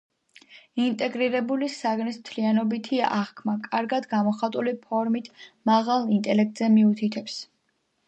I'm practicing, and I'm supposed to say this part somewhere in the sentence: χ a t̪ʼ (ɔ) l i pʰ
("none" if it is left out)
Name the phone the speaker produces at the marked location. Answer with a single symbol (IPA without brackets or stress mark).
u